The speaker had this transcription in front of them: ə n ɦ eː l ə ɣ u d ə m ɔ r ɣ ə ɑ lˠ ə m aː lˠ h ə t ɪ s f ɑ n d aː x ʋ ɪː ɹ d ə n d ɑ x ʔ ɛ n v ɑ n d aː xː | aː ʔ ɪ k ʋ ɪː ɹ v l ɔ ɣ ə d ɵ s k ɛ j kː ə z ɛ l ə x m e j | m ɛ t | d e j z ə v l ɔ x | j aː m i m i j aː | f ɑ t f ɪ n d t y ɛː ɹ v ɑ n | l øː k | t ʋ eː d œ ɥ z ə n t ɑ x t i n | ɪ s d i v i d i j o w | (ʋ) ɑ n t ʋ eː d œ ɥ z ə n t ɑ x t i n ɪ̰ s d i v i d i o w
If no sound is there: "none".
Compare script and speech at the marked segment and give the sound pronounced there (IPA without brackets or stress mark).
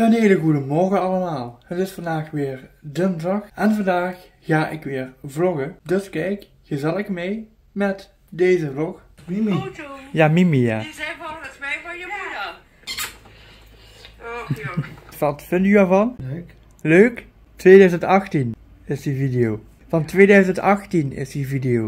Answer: v